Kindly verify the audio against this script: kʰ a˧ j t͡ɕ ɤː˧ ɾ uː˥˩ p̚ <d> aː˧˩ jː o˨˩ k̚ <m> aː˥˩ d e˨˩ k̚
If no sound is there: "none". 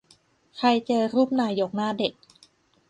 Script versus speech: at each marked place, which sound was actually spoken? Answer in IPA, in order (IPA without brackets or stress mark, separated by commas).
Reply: n, n